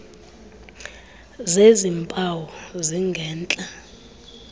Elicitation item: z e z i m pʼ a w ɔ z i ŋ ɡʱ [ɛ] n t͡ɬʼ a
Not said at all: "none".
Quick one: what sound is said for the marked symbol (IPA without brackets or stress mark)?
ɛː